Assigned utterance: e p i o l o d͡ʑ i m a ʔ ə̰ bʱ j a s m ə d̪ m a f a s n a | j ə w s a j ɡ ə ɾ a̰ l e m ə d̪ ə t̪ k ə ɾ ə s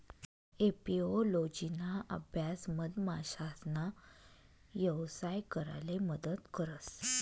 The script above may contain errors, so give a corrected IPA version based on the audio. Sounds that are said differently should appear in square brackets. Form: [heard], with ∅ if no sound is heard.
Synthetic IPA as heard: e p i o l o d͡ʑ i [n] a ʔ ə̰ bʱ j a s m ə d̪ m a [ɕ] a s n a | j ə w s a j [k] ə ɾ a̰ l e m ə d̪ ə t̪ k ə ɾ ə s